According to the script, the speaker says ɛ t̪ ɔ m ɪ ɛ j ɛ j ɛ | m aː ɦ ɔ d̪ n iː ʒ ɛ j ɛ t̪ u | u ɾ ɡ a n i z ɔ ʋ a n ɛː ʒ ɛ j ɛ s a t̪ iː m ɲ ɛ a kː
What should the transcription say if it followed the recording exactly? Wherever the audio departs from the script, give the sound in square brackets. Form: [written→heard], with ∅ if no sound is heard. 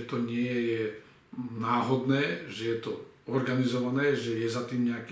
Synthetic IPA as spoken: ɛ t̪ ɔ [m→ɲ] ɪ ɛ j ɛ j ɛ | [m→n] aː ɦ ɔ d̪ n [iː→ɛː] ʒ ɛ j ɛ t̪ [u→ɔ] | [u→ɔ] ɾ ɡ a n i z ɔ ʋ a n ɛː ʒ ɛ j ɛ [s→z] a t̪ iː m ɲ ɛ a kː